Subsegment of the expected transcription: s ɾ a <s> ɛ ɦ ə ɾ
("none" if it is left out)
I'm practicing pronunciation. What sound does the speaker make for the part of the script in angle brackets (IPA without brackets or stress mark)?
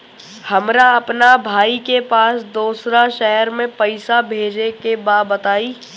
ʃ